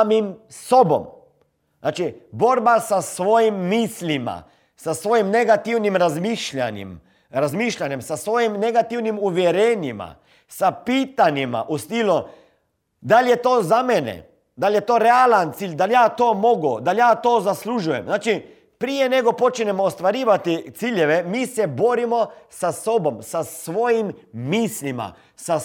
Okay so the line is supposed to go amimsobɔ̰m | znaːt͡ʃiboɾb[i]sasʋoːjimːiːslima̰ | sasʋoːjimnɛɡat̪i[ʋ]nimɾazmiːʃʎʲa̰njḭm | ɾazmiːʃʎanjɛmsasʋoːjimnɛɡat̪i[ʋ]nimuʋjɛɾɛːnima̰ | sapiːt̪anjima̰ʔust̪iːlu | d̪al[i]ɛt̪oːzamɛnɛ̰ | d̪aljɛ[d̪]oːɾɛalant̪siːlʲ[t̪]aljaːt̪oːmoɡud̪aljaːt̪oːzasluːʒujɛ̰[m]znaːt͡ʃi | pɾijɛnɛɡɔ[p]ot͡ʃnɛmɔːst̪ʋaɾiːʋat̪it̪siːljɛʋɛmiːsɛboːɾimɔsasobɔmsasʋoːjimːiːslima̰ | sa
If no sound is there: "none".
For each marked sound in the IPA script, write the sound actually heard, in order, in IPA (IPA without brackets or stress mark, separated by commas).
a, w, w, j, t̪, d̪, m, p